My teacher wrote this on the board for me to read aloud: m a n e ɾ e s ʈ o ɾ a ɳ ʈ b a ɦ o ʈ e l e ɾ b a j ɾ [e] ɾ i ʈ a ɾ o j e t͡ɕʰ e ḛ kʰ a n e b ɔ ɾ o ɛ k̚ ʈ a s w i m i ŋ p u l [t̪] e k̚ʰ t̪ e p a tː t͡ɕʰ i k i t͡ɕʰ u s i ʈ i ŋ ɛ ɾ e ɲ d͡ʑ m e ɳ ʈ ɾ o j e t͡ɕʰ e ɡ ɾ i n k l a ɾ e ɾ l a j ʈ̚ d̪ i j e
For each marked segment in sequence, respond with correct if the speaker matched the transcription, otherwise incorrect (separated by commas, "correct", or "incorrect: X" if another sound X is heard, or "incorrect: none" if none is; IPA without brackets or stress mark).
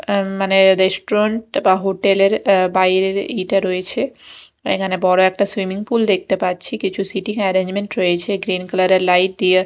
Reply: correct, incorrect: d̪